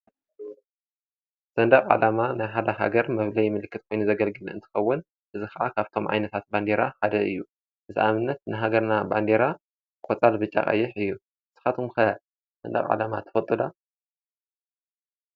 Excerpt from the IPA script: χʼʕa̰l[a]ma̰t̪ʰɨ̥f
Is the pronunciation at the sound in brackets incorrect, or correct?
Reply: correct